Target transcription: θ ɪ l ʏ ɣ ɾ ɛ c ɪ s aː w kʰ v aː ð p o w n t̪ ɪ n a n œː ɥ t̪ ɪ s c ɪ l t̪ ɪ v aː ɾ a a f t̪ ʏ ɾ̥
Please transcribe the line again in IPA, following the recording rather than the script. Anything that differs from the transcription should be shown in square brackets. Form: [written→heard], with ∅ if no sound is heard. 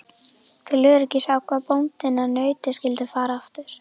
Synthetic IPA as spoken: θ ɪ l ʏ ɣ ɾ ɛ c ɪ s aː w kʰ v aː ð p o w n t̪ ɪ n a n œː ɥ t̪ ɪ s c ɪ l t̪ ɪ [v→f] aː ɾ a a f t̪ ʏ ɾ̥